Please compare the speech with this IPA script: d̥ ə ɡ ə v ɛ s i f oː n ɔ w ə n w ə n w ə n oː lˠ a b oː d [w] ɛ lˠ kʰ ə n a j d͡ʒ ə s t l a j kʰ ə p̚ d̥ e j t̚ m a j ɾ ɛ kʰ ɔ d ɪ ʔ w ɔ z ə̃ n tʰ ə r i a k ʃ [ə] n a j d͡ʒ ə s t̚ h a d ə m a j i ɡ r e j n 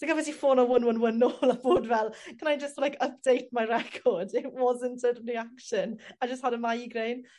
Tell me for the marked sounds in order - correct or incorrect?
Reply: incorrect, correct

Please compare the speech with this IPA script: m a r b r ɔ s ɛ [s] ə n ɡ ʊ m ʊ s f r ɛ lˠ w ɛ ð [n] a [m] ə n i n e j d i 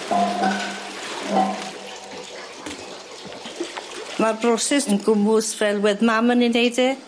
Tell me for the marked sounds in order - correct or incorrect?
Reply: correct, incorrect, correct

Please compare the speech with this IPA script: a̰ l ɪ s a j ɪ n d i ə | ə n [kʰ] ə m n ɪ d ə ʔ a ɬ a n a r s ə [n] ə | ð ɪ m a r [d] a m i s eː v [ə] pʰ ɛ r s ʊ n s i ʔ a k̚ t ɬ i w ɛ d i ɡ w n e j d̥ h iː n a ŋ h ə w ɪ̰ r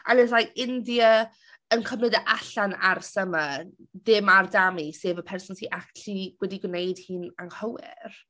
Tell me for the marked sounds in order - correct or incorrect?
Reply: correct, incorrect, correct, correct

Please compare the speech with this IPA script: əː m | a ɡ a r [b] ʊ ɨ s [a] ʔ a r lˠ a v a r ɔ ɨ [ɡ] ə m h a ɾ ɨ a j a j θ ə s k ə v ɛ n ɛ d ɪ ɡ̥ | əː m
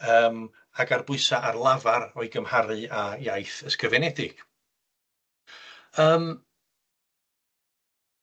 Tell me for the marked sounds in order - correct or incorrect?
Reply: correct, correct, correct

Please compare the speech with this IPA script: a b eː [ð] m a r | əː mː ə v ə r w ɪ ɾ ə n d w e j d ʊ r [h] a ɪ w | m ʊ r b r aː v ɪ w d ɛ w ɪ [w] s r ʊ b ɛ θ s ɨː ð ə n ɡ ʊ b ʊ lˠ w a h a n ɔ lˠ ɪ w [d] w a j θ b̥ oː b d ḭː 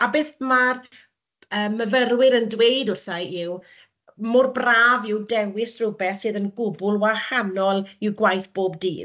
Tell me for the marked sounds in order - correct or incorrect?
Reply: incorrect, incorrect, incorrect, incorrect

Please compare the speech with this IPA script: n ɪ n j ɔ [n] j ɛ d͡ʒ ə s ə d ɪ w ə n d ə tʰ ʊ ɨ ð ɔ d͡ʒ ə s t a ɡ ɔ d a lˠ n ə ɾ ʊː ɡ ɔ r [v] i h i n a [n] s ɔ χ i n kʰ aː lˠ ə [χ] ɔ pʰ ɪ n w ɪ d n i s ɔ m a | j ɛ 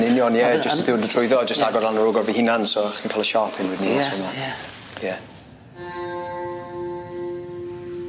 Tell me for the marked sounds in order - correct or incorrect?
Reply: correct, correct, correct, incorrect

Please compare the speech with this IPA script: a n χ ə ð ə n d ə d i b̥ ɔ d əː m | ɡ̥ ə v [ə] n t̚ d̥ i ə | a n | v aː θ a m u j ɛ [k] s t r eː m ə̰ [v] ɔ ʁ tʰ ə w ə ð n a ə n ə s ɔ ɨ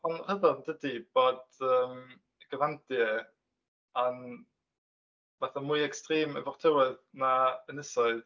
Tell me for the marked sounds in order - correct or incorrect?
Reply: incorrect, correct, correct

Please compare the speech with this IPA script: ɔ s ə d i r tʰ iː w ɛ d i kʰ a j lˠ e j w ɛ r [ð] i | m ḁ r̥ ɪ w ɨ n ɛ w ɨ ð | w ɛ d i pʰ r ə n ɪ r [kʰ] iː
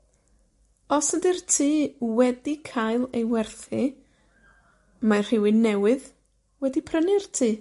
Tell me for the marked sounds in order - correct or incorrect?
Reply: incorrect, incorrect

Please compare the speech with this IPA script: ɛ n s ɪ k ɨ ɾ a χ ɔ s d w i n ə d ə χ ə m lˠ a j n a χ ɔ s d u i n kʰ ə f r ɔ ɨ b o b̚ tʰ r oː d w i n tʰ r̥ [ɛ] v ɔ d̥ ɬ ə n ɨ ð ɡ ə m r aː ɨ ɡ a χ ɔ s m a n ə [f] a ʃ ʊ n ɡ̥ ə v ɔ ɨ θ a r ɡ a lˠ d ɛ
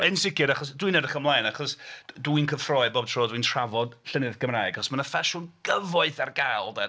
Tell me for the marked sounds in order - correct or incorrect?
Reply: incorrect, correct

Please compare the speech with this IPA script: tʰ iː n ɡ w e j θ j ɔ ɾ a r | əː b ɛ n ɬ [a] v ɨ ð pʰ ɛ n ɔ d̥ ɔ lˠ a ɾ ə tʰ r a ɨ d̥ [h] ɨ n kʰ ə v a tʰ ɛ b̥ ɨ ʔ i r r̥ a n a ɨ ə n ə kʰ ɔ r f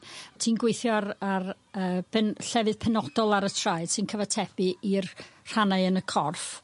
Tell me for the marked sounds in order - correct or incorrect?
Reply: incorrect, incorrect

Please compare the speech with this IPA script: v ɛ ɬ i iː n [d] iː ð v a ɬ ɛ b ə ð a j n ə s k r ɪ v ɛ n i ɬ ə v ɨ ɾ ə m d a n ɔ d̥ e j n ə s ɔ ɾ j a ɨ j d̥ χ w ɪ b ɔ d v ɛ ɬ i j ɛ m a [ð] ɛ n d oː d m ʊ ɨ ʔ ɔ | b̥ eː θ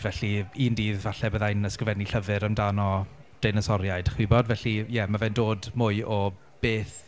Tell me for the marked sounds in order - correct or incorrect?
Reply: correct, incorrect

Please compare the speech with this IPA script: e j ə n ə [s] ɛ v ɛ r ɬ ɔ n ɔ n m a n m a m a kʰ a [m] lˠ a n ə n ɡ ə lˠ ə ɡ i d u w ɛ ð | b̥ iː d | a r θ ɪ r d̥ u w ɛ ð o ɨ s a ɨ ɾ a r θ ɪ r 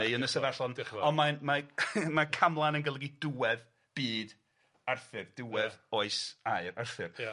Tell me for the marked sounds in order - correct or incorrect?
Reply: correct, correct

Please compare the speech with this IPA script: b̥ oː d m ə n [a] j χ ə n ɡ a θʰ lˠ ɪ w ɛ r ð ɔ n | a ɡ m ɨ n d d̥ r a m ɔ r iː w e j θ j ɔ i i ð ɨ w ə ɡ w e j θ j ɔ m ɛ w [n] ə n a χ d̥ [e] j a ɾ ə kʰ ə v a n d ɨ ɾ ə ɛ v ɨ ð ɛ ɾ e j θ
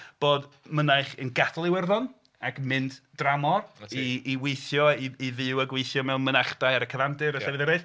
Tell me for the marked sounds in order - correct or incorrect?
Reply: correct, incorrect, incorrect

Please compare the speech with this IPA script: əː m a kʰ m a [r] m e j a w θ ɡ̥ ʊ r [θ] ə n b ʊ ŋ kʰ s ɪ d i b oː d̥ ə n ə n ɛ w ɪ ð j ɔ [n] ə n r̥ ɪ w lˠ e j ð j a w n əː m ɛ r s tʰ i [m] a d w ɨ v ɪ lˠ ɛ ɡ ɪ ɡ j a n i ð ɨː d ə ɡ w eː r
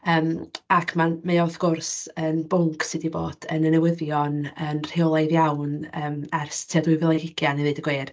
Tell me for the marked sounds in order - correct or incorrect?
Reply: incorrect, incorrect, correct, incorrect

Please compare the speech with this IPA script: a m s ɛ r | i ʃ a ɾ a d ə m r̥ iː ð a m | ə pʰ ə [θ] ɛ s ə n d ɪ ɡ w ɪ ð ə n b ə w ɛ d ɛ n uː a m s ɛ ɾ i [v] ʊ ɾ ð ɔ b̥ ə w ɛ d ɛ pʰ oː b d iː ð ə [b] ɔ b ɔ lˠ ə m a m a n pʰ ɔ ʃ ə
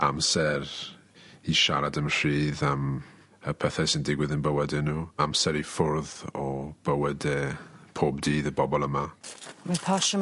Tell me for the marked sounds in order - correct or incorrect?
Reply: correct, incorrect, correct

